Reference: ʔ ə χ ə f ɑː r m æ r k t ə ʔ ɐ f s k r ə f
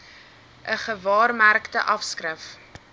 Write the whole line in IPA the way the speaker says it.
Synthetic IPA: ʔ ə χ ə v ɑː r m æ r k t ə ʔ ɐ f s k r ə f